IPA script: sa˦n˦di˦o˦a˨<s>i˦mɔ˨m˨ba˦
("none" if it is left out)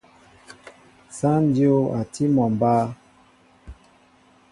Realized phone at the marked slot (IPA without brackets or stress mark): t